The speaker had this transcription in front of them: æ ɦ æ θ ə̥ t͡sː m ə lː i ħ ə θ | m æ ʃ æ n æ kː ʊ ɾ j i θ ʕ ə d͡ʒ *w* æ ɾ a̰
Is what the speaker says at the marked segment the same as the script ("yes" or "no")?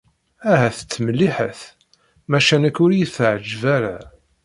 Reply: no